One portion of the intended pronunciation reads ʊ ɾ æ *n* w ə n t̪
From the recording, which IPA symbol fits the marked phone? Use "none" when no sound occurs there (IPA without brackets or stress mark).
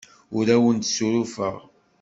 none